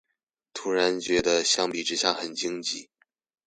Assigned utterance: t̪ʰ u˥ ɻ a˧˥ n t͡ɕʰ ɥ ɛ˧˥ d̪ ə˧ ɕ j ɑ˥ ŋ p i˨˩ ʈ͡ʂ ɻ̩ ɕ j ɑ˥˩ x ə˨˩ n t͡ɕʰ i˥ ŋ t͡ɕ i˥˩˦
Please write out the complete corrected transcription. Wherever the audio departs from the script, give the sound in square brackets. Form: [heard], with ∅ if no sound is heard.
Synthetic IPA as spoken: t̪ʰ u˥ ɻ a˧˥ n [t͡ɕ] ɥ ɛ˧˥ d̪ ə˧ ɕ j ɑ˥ ŋ p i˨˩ ʈ͡ʂ ɻ̩ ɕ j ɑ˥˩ x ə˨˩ n [t͡ɕ] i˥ ŋ t͡ɕ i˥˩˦